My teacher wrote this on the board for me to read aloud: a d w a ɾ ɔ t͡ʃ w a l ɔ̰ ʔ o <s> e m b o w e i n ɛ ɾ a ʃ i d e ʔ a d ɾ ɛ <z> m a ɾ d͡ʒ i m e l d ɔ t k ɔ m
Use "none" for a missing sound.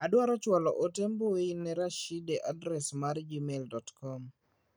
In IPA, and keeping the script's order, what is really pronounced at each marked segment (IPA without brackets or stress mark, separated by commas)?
t, s